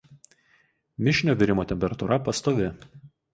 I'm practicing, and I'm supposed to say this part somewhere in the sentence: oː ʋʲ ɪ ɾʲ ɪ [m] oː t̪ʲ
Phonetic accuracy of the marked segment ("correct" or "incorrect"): correct